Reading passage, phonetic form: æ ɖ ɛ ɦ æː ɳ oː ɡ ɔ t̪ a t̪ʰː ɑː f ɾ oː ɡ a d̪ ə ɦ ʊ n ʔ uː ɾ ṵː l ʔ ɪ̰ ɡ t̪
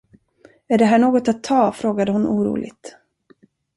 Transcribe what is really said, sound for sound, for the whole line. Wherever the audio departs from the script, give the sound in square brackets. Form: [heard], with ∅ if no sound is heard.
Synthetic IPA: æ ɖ ɛ ɦ æː ɳ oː ɡ ɔ t̪ a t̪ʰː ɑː f ɾ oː ɡ a d̪ ə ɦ ʊ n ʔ uː ɾ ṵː l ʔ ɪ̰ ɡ t̪